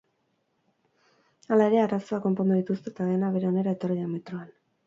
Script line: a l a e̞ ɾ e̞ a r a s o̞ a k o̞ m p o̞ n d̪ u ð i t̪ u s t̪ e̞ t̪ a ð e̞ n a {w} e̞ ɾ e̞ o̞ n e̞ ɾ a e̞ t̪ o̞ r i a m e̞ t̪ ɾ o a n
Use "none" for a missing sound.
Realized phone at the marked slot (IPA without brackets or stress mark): β